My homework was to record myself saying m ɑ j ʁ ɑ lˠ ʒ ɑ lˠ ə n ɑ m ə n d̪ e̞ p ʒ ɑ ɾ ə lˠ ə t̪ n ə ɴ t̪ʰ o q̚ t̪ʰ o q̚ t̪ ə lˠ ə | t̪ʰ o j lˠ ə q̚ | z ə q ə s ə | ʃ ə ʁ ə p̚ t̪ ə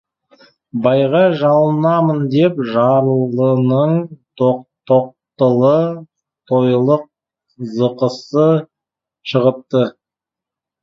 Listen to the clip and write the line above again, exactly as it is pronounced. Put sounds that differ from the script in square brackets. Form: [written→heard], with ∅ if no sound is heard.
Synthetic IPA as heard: [m→b] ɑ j ʁ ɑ [lˠ→∅] ʒ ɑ lˠ ə n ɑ m ə n d̪ e̞ p ʒ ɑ ɾ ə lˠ ə [t̪→∅] n ə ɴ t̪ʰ o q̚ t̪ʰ o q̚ t̪ ə lˠ ə | t̪ʰ o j lˠ ə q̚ | z ə q ə s ə | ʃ ə ʁ ə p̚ t̪ ə